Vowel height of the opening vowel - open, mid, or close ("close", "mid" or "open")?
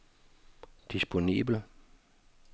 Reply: close